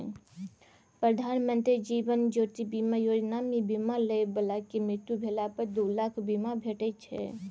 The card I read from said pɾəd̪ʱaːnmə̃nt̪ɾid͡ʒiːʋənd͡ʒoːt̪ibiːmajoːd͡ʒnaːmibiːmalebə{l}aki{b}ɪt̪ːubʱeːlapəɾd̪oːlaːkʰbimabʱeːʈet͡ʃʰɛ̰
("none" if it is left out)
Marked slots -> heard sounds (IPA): l, m

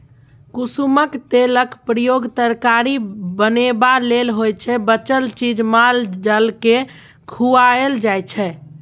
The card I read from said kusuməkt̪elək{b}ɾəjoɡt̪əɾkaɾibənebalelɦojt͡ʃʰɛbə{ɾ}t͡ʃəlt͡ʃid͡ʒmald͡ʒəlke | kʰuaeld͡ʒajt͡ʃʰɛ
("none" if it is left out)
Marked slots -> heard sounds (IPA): p, none

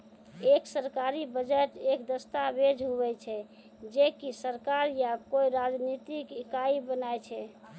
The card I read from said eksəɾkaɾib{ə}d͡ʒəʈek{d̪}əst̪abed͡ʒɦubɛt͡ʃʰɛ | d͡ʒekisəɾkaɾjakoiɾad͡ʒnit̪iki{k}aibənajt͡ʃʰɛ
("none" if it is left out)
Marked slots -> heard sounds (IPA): ə, d̪, k

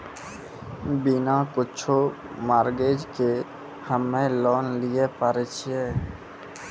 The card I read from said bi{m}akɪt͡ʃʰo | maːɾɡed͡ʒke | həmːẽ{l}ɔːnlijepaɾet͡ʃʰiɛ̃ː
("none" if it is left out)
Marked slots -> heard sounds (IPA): n, l

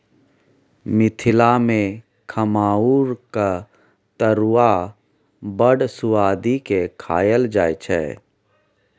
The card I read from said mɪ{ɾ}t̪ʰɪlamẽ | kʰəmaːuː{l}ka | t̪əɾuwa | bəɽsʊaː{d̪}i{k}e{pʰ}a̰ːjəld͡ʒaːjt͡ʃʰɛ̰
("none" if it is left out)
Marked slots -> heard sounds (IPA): none, ɾ, d̪, k, kʰ

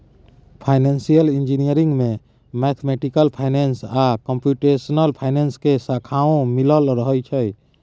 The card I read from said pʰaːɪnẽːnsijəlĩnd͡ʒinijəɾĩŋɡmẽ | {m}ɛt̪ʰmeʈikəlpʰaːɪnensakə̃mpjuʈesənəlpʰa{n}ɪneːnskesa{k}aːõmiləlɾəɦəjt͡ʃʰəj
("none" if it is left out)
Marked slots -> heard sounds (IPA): m, none, kʰ

